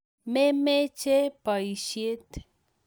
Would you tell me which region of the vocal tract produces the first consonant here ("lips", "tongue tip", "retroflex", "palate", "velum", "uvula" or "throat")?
lips